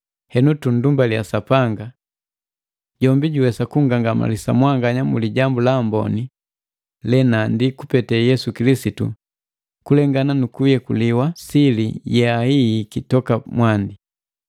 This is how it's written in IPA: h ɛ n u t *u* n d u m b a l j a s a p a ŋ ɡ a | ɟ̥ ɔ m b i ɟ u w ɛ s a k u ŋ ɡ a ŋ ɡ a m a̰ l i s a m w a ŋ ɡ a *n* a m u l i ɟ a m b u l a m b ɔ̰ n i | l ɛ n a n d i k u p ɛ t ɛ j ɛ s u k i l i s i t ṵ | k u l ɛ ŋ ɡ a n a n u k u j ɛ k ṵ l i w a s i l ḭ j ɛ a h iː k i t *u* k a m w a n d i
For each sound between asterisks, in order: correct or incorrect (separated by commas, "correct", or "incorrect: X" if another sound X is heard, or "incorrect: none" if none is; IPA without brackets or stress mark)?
correct, incorrect: ɲ, incorrect: ɔ